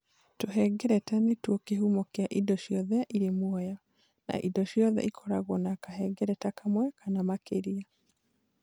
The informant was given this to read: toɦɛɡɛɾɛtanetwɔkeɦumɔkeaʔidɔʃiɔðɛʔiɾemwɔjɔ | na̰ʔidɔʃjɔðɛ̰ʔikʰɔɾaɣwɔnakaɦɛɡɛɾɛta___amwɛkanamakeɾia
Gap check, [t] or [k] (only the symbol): k